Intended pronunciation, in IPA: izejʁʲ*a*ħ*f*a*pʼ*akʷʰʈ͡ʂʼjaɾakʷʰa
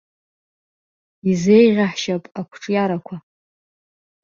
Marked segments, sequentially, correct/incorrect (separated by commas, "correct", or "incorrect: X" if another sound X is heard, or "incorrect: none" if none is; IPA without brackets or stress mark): correct, incorrect: ʃ, correct